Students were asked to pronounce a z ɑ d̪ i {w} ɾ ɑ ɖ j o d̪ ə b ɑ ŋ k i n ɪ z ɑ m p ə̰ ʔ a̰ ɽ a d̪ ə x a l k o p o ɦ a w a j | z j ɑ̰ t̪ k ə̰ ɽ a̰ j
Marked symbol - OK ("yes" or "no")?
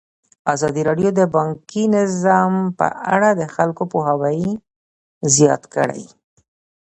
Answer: no